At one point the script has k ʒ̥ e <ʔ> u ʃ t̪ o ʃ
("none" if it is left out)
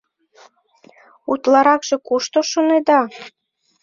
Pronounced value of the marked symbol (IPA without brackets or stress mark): k